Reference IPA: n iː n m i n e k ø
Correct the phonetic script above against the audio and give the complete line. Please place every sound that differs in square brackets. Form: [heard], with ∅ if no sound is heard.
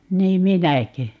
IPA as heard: n iː [m] m i n [æ] k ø